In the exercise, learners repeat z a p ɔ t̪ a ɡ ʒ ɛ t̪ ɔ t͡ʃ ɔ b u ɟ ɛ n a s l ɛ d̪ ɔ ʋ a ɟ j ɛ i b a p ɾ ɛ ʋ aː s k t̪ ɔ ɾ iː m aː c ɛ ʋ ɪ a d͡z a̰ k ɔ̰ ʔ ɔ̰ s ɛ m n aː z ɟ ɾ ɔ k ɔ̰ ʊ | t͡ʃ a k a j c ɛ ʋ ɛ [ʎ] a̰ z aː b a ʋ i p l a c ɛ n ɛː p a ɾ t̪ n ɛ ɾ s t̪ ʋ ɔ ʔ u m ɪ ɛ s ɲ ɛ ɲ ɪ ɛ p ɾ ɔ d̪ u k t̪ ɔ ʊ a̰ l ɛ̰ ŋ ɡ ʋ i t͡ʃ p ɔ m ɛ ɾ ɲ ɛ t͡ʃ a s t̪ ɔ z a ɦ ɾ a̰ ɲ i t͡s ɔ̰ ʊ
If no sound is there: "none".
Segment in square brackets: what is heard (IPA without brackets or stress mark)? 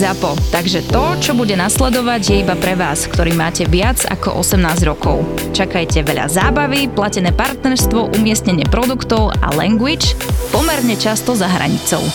ʎ